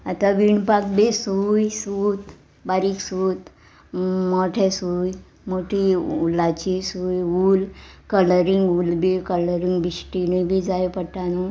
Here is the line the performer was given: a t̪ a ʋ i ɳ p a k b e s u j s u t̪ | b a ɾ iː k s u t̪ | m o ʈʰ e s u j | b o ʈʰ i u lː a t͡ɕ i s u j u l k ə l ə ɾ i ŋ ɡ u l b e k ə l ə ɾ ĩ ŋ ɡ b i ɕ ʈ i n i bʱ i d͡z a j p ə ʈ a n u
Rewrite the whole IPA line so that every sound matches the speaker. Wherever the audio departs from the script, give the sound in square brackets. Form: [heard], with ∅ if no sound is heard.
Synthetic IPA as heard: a t̪ a ʋ i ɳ p a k b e s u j s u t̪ | b a ɾ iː k s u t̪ | m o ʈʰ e s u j | [m] o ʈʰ i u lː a t͡ɕ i s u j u l k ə l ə ɾ i ŋ ɡ u l b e k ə l ə ɾ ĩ ŋ ɡ b i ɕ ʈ i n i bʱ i d͡z a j p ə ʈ a n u